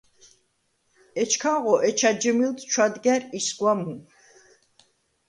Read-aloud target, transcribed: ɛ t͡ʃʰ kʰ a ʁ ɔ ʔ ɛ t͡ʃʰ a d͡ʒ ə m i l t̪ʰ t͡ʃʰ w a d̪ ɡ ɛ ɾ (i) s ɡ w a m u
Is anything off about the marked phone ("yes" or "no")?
no